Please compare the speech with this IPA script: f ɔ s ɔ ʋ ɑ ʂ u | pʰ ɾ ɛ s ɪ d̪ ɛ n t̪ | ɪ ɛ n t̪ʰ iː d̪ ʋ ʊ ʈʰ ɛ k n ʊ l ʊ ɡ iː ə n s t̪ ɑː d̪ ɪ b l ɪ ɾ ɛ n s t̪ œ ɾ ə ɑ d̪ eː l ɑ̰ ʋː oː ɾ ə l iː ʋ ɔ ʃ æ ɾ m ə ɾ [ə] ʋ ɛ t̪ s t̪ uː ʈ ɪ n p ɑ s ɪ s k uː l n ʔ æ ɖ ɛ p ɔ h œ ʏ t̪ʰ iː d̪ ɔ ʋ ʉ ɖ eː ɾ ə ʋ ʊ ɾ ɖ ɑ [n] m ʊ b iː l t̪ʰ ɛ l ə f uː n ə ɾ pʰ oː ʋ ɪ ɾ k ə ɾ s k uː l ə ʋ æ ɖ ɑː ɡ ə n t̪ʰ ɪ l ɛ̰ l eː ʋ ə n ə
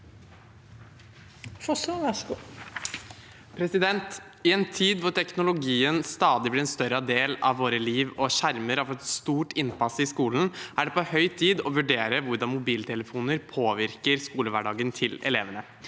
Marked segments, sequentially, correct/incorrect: incorrect: ɑ, correct

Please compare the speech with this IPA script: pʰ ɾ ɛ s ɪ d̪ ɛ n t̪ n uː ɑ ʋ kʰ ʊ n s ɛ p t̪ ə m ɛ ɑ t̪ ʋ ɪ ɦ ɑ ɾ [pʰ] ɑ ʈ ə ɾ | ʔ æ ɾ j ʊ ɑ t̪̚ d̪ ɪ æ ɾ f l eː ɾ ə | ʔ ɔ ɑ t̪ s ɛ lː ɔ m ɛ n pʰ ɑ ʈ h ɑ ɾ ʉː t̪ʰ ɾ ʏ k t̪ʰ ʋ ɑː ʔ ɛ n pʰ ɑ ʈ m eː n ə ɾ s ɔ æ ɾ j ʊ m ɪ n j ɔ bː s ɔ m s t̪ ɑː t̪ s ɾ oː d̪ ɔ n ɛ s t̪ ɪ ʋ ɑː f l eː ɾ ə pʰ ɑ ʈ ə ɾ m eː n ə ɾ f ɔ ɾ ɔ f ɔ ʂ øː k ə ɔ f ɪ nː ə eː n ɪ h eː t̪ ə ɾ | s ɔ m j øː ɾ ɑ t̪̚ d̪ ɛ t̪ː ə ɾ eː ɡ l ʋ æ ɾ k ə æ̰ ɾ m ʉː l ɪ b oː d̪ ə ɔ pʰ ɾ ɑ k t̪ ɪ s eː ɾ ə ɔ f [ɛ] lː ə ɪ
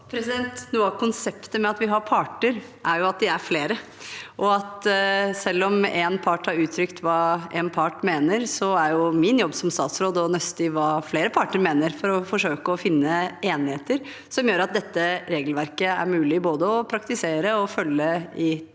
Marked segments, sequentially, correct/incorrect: correct, incorrect: œ

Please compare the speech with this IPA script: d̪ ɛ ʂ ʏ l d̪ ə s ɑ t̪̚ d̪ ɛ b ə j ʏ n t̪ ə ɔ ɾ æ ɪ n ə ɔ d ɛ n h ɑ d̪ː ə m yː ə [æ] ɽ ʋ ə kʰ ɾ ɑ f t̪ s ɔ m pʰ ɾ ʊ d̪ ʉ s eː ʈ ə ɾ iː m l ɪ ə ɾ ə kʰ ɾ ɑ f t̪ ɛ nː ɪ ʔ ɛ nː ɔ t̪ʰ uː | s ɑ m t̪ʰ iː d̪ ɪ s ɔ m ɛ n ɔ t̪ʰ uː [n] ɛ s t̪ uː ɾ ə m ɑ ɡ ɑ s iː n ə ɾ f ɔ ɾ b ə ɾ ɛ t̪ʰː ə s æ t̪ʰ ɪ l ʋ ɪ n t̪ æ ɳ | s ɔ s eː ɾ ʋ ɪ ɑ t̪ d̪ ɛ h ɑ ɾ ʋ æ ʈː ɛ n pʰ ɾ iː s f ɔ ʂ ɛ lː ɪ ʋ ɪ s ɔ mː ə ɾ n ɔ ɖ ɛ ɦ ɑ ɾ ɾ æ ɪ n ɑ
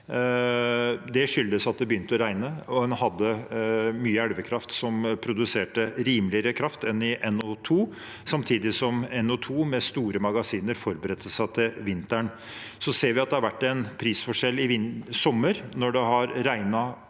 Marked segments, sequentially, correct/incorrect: correct, incorrect: m

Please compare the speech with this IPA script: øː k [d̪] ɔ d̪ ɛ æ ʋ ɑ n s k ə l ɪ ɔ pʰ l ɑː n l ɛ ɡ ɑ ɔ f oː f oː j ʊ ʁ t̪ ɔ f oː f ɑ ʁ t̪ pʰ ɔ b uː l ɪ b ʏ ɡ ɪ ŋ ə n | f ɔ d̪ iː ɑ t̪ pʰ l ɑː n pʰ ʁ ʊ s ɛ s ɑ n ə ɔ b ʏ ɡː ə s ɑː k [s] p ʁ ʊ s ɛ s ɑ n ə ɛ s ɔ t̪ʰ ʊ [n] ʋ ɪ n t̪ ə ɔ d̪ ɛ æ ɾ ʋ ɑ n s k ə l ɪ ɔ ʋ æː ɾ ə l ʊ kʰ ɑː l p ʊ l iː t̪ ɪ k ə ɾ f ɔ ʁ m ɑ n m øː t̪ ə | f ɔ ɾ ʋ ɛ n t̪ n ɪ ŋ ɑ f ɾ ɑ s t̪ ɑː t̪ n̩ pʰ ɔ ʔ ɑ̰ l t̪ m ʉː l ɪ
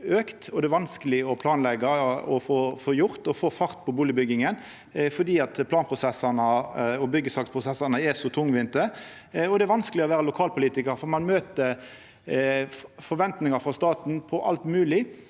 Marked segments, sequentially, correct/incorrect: incorrect: t̪, correct, incorrect: ŋ

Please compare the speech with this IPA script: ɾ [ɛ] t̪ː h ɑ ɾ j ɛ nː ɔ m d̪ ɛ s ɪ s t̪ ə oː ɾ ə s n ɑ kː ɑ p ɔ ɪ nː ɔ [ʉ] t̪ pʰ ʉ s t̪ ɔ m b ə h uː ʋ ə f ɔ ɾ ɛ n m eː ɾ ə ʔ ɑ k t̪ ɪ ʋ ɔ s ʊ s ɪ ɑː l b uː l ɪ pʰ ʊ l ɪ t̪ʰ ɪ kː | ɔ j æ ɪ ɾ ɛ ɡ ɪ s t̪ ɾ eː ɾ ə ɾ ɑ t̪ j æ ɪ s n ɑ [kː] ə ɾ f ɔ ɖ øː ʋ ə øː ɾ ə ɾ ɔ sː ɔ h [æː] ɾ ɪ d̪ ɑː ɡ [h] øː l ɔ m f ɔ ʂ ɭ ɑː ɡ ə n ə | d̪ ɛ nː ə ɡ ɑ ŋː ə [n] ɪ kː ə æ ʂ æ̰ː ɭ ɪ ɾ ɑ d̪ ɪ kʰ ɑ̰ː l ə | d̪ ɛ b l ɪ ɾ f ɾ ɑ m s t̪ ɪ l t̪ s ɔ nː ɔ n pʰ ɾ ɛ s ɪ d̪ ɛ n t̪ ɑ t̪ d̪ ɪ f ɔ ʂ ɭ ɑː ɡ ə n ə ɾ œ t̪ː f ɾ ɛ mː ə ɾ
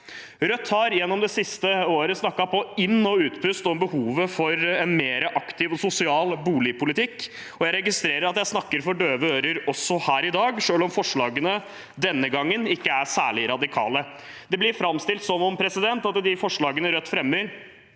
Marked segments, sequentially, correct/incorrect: incorrect: œ, incorrect: ʉː, correct, correct, incorrect: ʂ, correct

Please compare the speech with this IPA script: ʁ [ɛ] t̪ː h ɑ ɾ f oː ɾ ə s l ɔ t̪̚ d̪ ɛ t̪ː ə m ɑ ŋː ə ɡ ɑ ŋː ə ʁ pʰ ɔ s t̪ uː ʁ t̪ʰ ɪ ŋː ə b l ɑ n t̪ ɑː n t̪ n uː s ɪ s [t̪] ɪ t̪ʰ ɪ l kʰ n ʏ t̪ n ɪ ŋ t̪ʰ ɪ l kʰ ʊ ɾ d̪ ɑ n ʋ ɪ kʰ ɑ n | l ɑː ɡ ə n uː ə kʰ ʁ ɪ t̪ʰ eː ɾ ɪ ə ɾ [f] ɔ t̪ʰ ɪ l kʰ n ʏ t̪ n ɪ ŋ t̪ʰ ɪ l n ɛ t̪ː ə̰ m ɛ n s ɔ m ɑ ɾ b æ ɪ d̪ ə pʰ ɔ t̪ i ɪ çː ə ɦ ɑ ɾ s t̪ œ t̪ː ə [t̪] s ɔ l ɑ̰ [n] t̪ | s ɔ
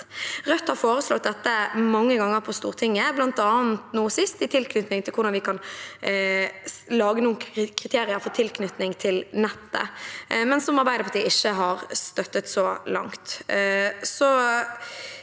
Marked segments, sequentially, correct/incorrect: incorrect: œ, correct, correct, correct, incorrect: ŋ

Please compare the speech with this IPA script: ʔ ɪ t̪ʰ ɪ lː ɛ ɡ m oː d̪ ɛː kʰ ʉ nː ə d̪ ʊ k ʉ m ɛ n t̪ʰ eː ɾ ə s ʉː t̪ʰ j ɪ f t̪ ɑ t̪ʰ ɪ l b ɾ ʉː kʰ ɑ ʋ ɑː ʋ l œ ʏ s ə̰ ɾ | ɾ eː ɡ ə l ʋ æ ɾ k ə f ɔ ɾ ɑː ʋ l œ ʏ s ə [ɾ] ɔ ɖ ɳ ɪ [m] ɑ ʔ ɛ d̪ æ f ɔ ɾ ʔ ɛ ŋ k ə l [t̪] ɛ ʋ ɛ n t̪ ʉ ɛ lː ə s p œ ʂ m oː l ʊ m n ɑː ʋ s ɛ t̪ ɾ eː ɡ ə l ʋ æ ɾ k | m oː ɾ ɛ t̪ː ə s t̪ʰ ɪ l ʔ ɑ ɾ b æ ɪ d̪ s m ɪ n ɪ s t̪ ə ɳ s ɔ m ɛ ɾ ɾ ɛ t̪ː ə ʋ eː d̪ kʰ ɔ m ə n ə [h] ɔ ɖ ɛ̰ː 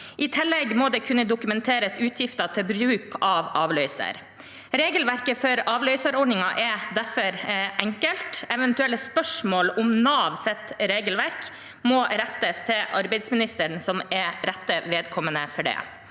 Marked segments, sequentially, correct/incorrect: correct, incorrect: ŋ, correct, incorrect: f

